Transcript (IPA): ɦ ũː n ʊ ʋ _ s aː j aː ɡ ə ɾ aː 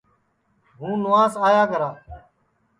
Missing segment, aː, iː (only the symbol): aː